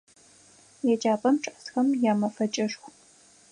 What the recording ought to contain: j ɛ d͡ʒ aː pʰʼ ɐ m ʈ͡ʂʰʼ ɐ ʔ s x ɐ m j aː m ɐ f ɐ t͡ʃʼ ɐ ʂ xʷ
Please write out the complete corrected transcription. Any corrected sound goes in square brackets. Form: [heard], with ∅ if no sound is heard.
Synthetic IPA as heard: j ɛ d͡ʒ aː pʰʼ ɐ m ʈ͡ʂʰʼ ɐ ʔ s x ɐ m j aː m ɐ f ɐ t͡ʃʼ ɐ ʂ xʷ